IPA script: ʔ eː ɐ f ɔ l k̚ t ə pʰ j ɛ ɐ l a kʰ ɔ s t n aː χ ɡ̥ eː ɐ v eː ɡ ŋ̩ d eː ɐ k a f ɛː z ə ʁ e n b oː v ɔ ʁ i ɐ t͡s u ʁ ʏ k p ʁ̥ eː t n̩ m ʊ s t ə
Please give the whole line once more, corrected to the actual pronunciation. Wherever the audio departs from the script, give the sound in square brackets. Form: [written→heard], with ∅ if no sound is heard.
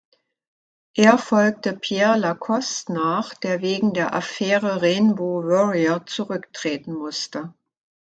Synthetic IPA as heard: ʔ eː ɐ f ɔ l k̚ t ə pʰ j ɛ ɐ l a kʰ ɔ s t n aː χ [ɡ̥→d̥] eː ɐ v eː ɡ ŋ̩ d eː ɐ [k→ʔ] a f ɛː [z→ʁ] ə ʁ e n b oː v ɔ ʁ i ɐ t͡s u ʁ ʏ k [p→t] ʁ̥ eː t n̩ m ʊ s t ə